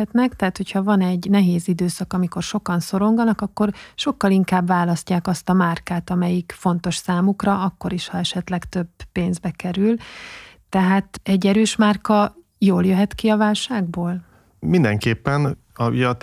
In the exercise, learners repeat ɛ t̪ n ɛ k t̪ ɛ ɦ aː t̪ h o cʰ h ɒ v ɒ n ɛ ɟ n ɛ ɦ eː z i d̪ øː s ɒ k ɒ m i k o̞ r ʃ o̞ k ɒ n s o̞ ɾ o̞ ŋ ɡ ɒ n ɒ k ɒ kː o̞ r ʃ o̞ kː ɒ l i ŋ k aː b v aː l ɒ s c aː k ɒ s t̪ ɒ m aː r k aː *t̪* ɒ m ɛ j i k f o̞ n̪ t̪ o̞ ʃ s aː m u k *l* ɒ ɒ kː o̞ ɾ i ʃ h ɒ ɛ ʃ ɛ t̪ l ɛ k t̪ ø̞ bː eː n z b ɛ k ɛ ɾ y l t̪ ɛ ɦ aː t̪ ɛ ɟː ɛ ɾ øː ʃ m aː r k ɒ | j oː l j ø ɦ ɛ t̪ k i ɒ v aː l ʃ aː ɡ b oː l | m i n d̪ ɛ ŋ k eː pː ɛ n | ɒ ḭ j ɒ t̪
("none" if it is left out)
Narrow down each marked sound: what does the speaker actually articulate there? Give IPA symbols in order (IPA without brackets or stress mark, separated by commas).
t̪, r